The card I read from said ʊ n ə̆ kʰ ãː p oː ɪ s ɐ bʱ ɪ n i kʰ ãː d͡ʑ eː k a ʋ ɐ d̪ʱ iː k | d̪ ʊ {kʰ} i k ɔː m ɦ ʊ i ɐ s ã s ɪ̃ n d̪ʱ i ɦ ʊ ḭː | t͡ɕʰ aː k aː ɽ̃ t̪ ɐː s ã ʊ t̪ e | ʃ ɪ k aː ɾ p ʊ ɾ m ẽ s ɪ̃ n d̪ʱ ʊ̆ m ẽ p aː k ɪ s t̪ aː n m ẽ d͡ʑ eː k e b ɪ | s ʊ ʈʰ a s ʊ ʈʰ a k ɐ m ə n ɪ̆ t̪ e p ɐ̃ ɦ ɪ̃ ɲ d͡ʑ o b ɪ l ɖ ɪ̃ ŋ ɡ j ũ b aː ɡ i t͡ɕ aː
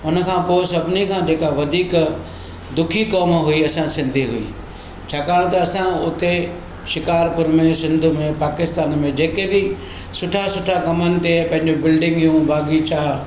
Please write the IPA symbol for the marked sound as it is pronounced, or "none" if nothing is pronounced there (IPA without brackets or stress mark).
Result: kʰ